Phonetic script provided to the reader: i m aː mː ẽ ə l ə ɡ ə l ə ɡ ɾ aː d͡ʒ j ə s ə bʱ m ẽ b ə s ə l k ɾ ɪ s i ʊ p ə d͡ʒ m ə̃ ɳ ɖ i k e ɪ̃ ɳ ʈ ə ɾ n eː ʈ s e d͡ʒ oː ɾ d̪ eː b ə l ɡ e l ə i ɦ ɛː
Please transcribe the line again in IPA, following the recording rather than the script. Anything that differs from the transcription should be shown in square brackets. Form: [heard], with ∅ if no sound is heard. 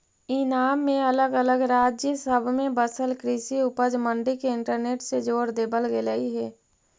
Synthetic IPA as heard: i [n] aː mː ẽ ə l ə ɡ ə l ə ɡ ɾ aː d͡ʒ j ə s ə bʱ m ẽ b ə s ə l k ɾ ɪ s i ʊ p ə d͡ʒ m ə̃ ɳ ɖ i k e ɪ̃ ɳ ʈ ə ɾ n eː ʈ s e d͡ʒ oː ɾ d̪ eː b ə l ɡ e l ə i ɦ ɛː

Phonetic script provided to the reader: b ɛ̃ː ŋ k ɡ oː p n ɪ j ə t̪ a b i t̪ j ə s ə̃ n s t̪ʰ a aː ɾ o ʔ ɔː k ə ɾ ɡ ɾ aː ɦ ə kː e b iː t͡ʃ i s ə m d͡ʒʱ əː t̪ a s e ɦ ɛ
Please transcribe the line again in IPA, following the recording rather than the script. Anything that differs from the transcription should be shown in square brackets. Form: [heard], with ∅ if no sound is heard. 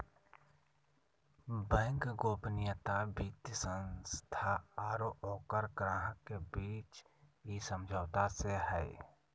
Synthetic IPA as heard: b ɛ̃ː ŋ k ɡ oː p n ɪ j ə t̪ a b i t̪ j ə s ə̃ n s t̪ʰ a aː ɾ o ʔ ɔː k ə ɾ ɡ ɾ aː ɦ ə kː e b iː t͡ʃ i s ə m d͡ʒʱ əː t̪ a s e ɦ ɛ

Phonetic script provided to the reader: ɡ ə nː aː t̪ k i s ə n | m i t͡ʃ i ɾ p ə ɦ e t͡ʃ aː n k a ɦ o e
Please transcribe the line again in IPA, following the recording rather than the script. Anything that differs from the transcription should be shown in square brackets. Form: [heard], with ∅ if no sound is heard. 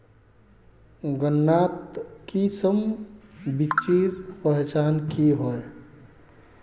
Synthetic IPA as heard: ɡ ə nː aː t̪ k i s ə [m] | [b] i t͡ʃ i ɾ p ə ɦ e t͡ʃ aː n k [i] ɦ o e

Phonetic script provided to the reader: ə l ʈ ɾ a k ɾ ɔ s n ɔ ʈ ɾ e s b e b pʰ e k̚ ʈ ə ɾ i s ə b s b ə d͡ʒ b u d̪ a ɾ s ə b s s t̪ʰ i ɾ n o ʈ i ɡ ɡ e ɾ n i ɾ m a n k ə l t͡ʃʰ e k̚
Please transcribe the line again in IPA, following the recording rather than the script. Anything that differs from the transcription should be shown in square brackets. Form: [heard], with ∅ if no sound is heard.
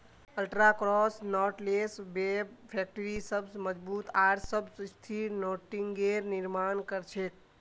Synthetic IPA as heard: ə l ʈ ɾ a k ɾ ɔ s n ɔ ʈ [l] e s b e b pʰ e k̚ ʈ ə ɾ i s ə b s [m] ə d͡ʒ b u [t̪] a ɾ s ə b s s t̪ʰ i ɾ n o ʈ i [ŋ] ɡ e ɾ n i ɾ m a n k ə [ɾ] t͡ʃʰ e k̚

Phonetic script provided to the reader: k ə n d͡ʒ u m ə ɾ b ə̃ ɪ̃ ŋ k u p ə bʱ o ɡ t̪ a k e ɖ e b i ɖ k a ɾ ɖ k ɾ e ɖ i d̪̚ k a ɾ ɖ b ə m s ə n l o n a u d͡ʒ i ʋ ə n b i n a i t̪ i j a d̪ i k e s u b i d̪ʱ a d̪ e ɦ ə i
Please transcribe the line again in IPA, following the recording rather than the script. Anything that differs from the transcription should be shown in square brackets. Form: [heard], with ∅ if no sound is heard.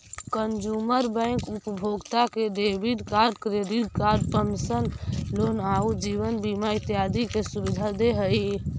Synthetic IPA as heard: k ə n d͡ʒ u m ə ɾ b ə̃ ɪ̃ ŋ k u p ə bʱ o ɡ t̪ a k e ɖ e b i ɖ k a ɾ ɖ k ɾ e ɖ i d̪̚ k a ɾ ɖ [p] ə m s ə n l o n a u d͡ʒ i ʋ ə n b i [m] a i t̪ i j a d̪ i k e s u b i d̪ʱ a d̪ e ɦ ə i

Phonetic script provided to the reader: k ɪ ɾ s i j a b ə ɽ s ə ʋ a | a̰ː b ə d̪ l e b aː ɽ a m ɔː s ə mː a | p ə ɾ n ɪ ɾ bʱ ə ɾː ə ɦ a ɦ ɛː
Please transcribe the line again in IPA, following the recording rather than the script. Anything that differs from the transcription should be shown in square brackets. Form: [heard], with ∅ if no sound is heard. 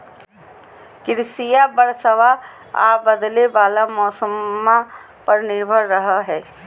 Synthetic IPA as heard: k ɪ ɾ s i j a b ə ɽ s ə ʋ a | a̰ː b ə d̪ l e b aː [l] a m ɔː s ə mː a | p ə ɾ n ɪ ɾ bʱ ə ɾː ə ɦ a ɦ ɛː

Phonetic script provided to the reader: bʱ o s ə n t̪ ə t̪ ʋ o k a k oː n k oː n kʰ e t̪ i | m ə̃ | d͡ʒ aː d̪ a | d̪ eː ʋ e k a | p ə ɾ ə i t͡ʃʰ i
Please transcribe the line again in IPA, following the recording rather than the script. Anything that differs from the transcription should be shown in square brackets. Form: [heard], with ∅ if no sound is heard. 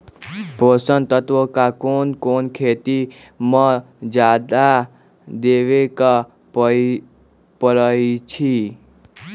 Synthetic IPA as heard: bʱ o s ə n t̪ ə t̪ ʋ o k a k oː n k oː n kʰ e t̪ i | m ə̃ | d͡ʒ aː d̪ a | d̪ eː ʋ e k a | p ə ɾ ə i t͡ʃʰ i

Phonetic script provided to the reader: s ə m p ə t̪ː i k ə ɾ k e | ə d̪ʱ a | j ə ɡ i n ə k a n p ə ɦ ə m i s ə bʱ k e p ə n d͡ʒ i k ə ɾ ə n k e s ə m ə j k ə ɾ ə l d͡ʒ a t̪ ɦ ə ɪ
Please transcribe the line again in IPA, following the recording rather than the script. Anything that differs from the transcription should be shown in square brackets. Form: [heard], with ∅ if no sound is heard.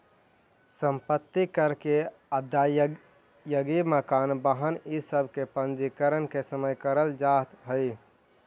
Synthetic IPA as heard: s ə m p ə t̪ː i k ə ɾ k e | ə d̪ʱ a | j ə ɡ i [m] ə k a n [b] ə ɦ ə [n] i s ə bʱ k e p ə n d͡ʒ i k ə ɾ ə n k e s ə m ə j k ə ɾ ə l d͡ʒ a t̪ ɦ ə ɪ

